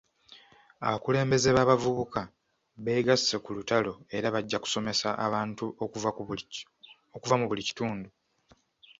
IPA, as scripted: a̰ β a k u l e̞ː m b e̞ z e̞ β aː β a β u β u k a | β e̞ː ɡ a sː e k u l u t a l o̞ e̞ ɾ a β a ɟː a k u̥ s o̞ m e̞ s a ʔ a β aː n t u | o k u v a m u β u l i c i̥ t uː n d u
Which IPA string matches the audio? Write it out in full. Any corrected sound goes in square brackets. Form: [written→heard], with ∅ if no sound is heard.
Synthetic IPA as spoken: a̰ β a k u l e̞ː m b e̞ z e̞ β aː β a [β→v] u β u k a | β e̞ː ɡ a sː e k u l u t a l o̞ e̞ ɾ a β a ɟː a k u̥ s o̞ m e̞ s a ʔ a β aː n t u | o k u v a m u β u l i c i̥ t uː n d u